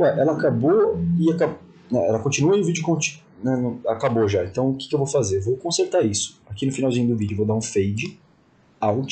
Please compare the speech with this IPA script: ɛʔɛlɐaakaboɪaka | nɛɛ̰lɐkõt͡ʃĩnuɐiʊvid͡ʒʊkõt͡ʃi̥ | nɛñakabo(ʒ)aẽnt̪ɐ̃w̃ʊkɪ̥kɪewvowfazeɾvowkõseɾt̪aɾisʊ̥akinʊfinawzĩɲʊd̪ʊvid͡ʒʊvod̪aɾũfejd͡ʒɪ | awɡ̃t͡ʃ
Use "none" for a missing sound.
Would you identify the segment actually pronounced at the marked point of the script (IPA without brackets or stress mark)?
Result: ʒ